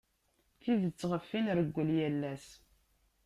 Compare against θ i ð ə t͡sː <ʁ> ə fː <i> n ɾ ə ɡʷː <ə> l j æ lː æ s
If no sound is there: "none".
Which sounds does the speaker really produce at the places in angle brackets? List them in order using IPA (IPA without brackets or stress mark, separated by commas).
ʁ, i, ə